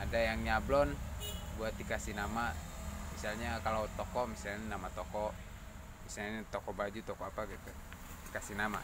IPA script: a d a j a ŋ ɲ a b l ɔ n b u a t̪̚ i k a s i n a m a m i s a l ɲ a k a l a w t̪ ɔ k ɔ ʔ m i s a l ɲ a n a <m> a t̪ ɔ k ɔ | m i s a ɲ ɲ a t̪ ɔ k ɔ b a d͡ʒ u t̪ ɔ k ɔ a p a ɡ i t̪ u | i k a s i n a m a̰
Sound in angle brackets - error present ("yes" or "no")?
no